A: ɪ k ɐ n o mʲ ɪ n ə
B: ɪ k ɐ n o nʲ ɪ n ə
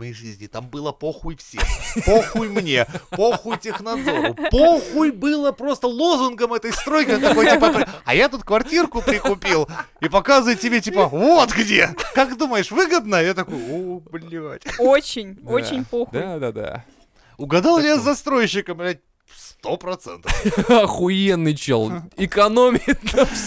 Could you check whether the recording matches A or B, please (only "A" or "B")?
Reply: A